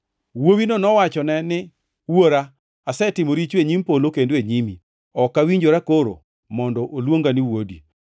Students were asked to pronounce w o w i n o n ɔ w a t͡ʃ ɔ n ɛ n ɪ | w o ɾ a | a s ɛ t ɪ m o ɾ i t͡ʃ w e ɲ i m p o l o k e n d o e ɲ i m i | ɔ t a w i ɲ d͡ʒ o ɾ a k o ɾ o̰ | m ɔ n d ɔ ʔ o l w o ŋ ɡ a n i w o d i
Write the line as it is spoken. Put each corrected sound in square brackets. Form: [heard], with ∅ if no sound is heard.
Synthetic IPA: w o w i n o n ɔ w a t͡ʃ ɔ n ɛ n ɪ | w o ɾ a | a s ɛ t ɪ m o ɾ i t͡ʃ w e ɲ i m p o l o k e n d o e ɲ i m i | ɔ [k] a w i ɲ d͡ʒ o ɾ a k o ɾ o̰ | m ɔ n d ɔ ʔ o l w o ŋ ɡ a n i w o d i